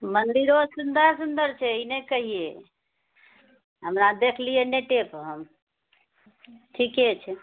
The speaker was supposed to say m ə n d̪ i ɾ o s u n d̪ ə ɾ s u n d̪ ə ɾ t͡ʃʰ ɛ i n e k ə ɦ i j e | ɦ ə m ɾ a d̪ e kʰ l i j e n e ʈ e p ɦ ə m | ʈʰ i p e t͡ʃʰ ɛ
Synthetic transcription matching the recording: m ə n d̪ i ɾ o s u n d̪ ə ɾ s u n d̪ ə ɾ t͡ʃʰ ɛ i n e k ə ɦ i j e | ɦ ə m ɾ a d̪ e kʰ l i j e n e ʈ e p ɦ ə m | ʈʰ i k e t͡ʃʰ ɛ